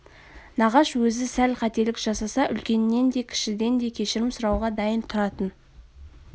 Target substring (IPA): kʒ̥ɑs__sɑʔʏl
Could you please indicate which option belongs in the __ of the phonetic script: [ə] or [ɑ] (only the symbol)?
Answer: ɑ